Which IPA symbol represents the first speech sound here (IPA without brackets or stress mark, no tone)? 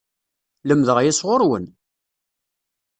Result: l